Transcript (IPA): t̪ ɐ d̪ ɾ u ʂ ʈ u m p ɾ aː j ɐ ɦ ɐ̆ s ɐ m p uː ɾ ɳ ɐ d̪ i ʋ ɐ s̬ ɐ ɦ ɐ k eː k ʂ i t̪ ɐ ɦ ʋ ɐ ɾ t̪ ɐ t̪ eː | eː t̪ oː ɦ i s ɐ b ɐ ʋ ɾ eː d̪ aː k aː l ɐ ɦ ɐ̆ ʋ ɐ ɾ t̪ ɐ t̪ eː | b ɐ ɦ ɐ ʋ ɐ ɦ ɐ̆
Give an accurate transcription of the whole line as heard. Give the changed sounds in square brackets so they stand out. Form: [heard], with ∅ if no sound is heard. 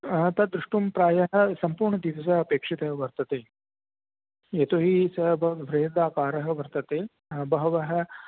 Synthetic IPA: t̪ ɐ d̪ ɾ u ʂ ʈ u m p ɾ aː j ɐ ɦ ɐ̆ s ɐ m p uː ɾ ɳ ɐ d̪ i ʋ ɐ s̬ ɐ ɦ ɐ [p] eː k ʂ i t̪ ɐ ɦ ʋ ɐ ɾ t̪ ɐ t̪ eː | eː t̪ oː ɦ i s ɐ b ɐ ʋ ɾ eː d̪ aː k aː [ɾ] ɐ ɦ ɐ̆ ʋ ɐ ɾ t̪ ɐ t̪ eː | b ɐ ɦ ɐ ʋ ɐ ɦ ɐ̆